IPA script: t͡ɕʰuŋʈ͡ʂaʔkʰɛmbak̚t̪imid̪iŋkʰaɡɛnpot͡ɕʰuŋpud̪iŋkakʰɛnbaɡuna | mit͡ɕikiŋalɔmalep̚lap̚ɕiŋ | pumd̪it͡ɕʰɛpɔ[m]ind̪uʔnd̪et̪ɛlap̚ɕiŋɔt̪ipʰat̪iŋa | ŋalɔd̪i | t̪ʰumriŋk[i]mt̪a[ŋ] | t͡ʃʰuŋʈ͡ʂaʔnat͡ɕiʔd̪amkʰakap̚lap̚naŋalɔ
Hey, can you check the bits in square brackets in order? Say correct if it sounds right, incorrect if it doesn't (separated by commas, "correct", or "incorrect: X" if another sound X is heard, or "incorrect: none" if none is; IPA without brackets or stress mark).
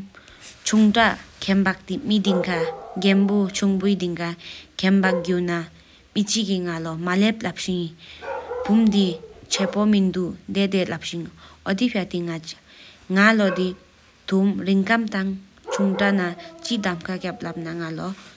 correct, incorrect: a, correct